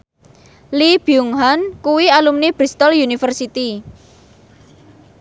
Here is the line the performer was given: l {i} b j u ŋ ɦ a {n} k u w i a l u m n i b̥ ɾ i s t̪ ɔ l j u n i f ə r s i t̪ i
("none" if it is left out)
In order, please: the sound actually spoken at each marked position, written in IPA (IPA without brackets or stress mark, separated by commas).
i, n